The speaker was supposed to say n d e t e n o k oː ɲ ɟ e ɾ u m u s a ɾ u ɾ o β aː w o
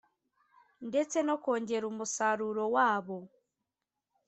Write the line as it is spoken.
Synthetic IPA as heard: n d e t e n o k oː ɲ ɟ e ɾ u m u s a ɾ u ɾ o w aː β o